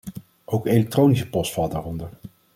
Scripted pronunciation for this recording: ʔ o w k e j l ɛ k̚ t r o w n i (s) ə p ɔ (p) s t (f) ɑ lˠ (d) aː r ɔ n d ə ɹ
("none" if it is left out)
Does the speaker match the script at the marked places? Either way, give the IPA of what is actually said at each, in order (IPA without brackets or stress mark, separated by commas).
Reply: s, none, f, d